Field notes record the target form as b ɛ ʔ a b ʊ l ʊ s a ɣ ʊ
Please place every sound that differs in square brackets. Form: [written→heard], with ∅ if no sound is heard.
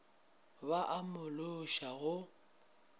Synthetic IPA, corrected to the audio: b [ɛ→a] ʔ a [b→m] ʊ l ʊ [s→ʃ] a ɣ ʊ